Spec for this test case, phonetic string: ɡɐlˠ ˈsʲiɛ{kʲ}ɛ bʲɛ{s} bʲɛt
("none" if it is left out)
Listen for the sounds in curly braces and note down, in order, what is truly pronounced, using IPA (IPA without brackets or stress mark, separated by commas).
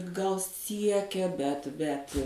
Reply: kʲ, t